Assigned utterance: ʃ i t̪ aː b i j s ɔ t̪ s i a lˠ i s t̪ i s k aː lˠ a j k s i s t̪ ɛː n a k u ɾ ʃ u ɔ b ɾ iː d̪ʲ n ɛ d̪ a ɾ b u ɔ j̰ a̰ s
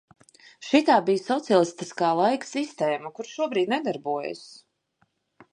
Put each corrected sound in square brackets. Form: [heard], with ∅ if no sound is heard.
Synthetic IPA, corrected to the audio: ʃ i t̪ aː b i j s ɔ t̪ s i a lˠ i s t̪ i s k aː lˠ a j k s i s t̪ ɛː [m] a k u ɾ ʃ u ɔ b ɾ iː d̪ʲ n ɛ d̪ a ɾ b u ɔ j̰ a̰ s